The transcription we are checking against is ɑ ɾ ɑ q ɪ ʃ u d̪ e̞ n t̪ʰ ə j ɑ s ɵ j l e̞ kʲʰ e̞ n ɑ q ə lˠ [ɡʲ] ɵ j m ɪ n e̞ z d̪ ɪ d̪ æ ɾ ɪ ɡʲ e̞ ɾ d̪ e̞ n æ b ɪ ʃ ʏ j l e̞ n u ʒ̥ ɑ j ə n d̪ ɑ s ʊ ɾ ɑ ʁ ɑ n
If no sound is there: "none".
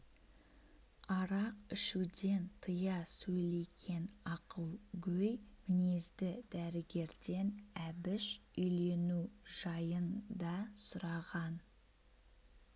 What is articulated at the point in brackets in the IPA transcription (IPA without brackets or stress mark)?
ɡʲ